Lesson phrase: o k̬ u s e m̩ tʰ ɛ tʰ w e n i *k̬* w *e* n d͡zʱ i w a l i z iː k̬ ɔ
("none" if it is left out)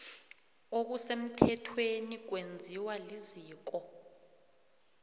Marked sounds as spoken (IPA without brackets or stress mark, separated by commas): k̬, e